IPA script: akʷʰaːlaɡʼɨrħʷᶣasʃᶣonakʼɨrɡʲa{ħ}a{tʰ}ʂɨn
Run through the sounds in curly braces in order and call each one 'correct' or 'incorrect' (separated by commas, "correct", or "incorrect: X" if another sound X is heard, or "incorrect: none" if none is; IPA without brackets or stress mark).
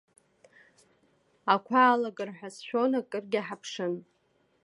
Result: correct, incorrect: pʰ